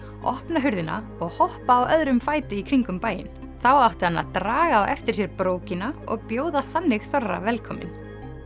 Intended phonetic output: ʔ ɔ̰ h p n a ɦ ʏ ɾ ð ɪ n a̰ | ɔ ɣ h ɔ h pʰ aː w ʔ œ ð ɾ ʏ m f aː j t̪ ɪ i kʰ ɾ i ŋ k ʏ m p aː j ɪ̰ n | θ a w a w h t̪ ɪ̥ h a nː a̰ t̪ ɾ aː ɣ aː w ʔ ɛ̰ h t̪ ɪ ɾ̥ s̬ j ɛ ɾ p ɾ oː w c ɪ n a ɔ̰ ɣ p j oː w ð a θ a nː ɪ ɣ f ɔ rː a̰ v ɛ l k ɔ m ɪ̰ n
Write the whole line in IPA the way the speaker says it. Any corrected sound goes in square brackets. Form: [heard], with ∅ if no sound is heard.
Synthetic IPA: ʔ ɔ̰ h p n a ɦ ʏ ɾ ð ɪ n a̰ | ɔ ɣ h ɔ h [p] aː w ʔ œ ð ɾ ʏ m f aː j t̪ ɪ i kʰ ɾ i ŋ k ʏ m p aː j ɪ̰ n | θ a w a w h t̪ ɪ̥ h a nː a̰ t̪ ɾ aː ɣ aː w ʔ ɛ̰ [f] t̪ ɪ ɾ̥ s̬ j ɛ ɾ p ɾ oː w c ɪ n a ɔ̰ ɣ p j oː w ð a θ a nː ɪ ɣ [θ] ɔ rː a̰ v ɛ l [kʰ] ɔ m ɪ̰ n